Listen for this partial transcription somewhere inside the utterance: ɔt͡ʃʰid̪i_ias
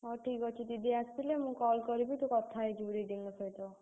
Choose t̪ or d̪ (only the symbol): d̪